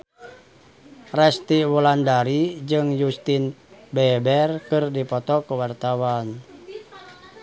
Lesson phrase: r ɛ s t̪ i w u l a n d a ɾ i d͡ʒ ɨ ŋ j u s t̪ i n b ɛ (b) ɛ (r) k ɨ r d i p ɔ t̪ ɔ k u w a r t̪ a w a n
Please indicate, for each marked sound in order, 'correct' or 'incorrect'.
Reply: correct, correct

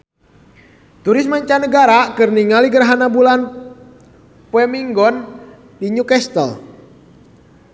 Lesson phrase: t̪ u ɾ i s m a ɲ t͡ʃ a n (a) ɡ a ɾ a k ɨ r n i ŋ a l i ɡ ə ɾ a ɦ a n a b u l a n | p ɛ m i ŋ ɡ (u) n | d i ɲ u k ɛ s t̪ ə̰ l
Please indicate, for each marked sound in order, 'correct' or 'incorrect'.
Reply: incorrect, incorrect

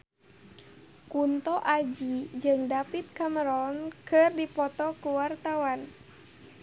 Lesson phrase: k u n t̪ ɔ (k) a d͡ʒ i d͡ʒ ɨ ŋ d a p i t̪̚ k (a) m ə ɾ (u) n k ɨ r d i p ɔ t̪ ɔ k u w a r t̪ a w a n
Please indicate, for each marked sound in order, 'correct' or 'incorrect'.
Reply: incorrect, correct, incorrect

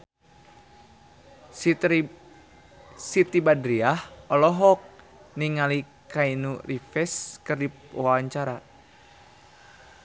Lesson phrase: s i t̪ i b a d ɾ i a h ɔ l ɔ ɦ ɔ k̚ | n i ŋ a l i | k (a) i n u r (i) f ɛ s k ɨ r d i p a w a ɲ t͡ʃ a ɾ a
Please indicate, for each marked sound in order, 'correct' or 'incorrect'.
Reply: correct, correct

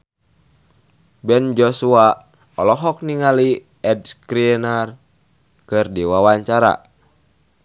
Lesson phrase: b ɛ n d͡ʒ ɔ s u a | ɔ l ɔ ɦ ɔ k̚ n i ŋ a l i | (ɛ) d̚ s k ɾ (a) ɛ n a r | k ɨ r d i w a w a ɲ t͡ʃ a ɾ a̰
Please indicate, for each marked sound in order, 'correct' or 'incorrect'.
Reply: correct, incorrect

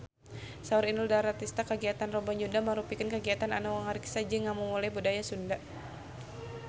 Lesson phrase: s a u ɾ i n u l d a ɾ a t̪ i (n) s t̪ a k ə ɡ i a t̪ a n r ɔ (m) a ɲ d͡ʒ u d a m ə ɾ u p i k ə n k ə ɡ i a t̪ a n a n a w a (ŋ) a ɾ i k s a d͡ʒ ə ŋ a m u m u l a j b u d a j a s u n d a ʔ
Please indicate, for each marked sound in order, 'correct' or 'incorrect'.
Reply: incorrect, incorrect, correct

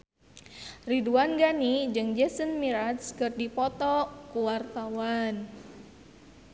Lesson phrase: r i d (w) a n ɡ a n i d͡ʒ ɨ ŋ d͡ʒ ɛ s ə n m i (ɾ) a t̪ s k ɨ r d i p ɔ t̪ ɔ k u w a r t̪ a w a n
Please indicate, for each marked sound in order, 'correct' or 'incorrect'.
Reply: incorrect, correct

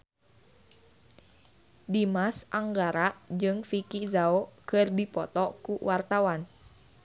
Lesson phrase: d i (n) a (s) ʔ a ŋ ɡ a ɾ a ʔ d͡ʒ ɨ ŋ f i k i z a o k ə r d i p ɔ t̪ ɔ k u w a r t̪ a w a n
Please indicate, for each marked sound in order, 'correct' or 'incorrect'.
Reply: incorrect, correct

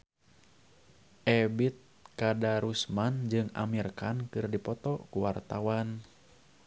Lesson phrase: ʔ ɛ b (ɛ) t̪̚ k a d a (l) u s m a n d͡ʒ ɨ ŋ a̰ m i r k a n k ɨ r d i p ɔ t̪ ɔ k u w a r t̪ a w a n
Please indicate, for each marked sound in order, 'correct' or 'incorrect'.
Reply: incorrect, incorrect

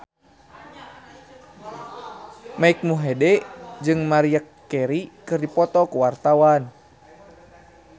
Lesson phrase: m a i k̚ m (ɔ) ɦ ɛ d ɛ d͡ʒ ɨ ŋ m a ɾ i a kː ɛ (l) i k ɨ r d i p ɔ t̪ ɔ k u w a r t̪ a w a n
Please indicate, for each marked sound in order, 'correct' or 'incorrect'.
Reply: incorrect, incorrect

